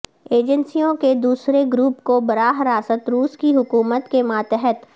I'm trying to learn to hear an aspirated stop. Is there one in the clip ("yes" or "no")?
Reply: no